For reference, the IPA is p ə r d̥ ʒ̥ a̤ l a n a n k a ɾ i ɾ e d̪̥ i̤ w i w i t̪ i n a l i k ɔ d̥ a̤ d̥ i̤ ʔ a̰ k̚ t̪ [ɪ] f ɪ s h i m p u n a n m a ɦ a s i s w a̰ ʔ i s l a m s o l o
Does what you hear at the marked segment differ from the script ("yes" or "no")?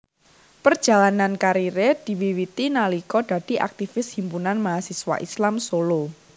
yes